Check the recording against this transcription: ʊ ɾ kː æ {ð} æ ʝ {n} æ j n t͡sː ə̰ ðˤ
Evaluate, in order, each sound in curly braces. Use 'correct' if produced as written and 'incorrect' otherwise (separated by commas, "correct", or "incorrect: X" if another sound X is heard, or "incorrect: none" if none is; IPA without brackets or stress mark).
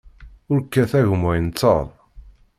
incorrect: θ, incorrect: m